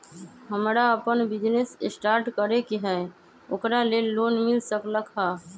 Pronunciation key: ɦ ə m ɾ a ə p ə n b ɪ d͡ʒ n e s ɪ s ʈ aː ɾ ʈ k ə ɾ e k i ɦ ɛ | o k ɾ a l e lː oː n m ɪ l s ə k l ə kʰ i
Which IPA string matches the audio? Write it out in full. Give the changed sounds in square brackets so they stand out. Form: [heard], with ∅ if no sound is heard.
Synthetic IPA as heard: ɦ ə m ɾ a ə p ə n b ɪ d͡ʒ n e s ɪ s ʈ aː ɾ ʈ k ə ɾ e k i ɦ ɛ | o k ɾ a l e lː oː n m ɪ l s ə k l ə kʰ [a]